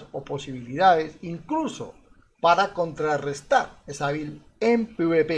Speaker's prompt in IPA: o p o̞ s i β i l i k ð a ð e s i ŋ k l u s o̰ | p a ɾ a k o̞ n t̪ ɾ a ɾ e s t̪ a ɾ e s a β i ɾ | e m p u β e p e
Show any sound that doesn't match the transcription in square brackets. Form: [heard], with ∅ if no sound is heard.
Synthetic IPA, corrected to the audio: o p o̞ s i β i l i [∅] ð a ð e s i ŋ k l u s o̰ | p a ɾ a k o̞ n t̪ ɾ a [r] e s t̪ a ɾ e s a β i [l] | e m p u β e p e

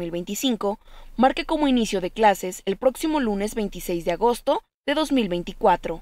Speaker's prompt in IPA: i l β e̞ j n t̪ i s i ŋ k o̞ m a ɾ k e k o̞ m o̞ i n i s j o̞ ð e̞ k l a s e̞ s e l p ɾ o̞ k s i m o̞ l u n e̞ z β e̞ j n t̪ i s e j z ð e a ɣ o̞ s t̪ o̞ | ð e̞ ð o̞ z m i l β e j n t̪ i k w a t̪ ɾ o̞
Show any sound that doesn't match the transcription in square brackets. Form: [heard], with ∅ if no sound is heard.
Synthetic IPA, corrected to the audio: i l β e̞ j n t̪ i s i ŋ k o̞ m a ɾ k e k o̞ m o̞ i n i s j o̞ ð e̞ k l a s e̞ s e l p ɾ o̞ k s i m o̞ l u n e̞ z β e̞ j n t̪ i s e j z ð e a ɣ o̞ s t̪ o̞ | ð e̞ ð o̞ z m i l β e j n t̪ i k w a t̪ ɾ o̞

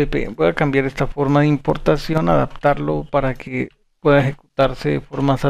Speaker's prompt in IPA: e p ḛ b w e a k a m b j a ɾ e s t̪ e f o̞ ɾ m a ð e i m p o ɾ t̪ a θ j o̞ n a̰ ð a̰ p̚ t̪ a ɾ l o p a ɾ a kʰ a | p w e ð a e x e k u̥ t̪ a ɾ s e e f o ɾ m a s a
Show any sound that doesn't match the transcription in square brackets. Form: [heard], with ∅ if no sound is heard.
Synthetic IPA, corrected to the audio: e p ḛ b w e a k a m b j a ɾ e s t̪ [a] f o̞ ɾ m a ð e i m p o ɾ t̪ a [s] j o̞ n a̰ ð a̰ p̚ t̪ a ɾ l o p a ɾ a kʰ [e] | p w e ð a e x e k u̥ t̪ a ɾ s e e f o ɾ m a s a

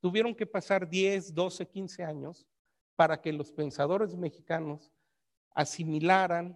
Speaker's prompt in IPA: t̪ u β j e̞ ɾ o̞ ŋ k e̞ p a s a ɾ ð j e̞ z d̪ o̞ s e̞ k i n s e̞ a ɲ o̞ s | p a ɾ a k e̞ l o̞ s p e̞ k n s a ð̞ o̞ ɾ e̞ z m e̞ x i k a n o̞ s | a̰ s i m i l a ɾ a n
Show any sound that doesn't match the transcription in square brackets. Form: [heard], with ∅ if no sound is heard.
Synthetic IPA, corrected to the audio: t̪ u β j e̞ ɾ o̞ ŋ k e̞ p a s a ɾ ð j e̞ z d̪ o̞ s e̞ k i n s e̞ a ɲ o̞ s | p a ɾ a k e̞ l o̞ s p e̞ [∅] n s a ð̞ o̞ ɾ e̞ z m e̞ x i k a n o̞ s | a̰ s i m i l a ɾ a n

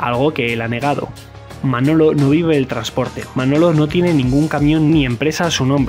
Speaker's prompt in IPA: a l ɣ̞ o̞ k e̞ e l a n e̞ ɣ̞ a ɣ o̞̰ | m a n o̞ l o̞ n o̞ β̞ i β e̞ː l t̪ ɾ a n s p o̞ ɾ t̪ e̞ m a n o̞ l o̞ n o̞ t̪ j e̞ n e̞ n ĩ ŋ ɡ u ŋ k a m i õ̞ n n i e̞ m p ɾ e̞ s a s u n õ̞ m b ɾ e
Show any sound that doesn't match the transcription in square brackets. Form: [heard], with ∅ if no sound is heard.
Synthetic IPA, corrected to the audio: a l ɣ̞ o̞ k e̞ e l a n e̞ ɣ̞ a [ð] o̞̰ | m a n o̞ l o̞ n o̞ β̞ i β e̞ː l t̪ ɾ a n s p o̞ ɾ t̪ e̞ m a n o̞ l o̞ n o̞ t̪ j e̞ n e̞ n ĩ ŋ ɡ u ŋ k a m [j] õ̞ n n i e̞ m p ɾ e̞ s a s u n õ̞ m b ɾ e

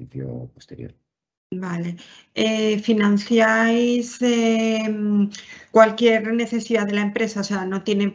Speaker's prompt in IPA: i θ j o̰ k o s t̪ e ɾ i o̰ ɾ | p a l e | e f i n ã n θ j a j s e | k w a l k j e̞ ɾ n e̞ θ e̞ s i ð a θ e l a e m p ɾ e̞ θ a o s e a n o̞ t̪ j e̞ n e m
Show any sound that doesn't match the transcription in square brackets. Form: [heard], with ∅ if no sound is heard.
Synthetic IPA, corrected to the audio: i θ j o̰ [p] o s t̪ e ɾ [j] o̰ ɾ | [b] a l e | e f i n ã n θ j a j s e | k w a l k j e̞ ɾ n e̞ θ e̞ s i ð a [ð] e l a e m p ɾ e̞ [s] a o s e a n o̞ t̪ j e̞ n e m

